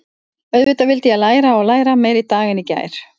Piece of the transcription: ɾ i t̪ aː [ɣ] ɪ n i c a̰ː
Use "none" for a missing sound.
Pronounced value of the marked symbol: ɣ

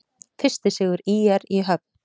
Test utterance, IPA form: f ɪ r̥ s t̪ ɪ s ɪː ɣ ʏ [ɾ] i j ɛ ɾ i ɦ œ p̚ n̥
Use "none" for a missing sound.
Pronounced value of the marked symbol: ɾ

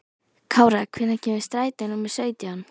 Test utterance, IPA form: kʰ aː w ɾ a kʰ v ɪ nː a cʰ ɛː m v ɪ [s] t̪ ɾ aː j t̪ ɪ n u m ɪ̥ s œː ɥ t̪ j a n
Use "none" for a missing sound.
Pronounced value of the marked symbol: s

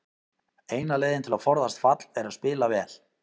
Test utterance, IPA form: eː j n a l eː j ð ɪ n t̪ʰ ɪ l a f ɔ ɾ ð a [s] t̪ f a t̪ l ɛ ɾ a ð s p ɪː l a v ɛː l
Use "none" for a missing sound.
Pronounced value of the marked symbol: s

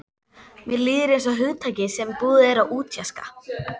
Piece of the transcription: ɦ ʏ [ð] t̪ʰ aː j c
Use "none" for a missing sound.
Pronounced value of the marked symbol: ð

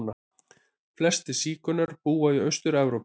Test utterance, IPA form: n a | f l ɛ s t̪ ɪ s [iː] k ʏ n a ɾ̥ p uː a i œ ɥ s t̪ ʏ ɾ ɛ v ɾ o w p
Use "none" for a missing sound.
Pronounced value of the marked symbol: iː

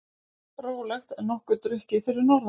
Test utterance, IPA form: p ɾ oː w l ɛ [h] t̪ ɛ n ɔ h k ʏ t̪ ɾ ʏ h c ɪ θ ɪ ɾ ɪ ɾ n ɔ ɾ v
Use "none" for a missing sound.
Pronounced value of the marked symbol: x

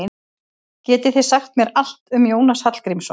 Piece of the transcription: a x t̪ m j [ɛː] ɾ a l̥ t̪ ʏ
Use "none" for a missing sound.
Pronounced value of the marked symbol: ɛ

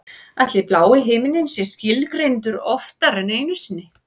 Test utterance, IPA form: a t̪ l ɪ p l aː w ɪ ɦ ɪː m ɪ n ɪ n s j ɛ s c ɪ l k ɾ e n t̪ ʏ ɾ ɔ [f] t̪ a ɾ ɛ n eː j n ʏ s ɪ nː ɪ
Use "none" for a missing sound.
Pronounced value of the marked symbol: f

